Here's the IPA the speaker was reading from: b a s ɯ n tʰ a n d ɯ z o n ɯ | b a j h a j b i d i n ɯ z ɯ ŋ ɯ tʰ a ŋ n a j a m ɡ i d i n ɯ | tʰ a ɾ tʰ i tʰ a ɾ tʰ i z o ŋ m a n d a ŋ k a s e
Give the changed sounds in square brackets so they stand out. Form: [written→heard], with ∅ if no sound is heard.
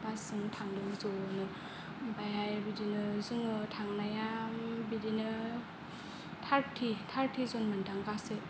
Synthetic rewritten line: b a s ɯ [n→ŋ] tʰ a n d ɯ z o n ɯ | b a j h a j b i d i n ɯ z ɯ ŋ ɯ tʰ a ŋ n a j a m [ɡ→b] i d i n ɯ | tʰ a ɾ tʰ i tʰ a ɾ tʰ i z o [ŋ→n] m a n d a ŋ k a s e